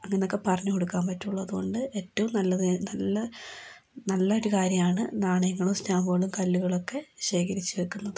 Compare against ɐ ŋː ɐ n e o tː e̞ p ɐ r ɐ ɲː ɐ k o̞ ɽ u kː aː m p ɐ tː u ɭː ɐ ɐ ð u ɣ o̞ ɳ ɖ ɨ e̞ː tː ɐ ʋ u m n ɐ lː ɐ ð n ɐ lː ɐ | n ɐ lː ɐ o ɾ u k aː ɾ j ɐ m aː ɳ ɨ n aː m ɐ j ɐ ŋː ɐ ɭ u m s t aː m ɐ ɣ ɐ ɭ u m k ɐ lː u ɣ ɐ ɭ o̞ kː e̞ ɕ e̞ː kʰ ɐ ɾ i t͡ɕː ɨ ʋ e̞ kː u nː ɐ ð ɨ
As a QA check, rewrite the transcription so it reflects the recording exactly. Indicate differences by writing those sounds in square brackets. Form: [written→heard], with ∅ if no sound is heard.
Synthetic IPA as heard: ɐ ŋː ɐ n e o [tː→kː] e̞ p ɐ r ɐ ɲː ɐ k o̞ ɽ u kː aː m p ɐ tː u ɭː ɐ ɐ ð u ɣ o̞ ɳ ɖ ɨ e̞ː tː ɐ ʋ u m n ɐ lː ɐ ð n ɐ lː ɐ | n ɐ lː ɐ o ɾ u k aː ɾ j ɐ m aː ɳ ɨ n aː [m→ɳ] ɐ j ɐ ŋː ɐ ɭ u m s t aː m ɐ ɣ ɐ ɭ u m k ɐ lː u ɣ ɐ ɭ o̞ kː e̞ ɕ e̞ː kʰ ɐ ɾ i t͡ɕː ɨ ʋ e̞ kː u nː ɐ ð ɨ